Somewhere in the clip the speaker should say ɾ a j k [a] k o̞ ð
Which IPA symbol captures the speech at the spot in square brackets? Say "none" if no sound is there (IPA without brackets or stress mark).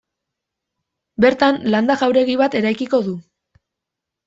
i